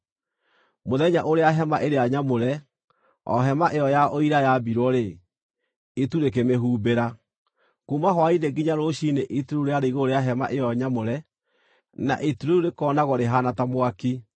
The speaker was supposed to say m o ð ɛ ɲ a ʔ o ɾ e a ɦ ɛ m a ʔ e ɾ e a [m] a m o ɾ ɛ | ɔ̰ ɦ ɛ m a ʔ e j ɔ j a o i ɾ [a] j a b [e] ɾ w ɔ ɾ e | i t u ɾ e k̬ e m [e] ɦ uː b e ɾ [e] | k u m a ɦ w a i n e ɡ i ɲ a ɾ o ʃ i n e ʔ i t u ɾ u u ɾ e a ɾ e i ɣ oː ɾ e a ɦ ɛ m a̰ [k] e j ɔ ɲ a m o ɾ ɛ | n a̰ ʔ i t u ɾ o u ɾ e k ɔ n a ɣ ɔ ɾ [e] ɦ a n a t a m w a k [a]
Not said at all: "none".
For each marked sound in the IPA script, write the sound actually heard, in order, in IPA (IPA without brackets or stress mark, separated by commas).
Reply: ɲ, a, i, e, a, ʔ, e, i